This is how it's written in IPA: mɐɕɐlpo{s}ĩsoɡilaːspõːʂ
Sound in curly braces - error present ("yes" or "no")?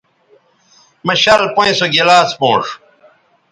yes